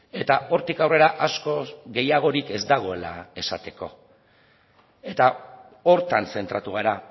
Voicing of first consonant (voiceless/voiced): voiceless